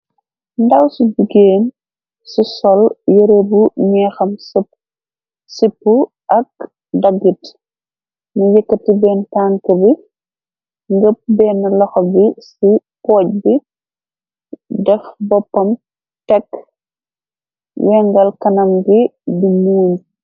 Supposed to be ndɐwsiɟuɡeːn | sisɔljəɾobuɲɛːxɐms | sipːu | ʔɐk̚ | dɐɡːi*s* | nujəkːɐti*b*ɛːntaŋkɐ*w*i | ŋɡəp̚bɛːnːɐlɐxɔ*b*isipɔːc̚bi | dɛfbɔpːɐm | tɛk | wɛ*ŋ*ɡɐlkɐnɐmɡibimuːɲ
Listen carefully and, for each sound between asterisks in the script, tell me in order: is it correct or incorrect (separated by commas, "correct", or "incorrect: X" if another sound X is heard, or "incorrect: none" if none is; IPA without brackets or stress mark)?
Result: incorrect: t, correct, incorrect: b, correct, correct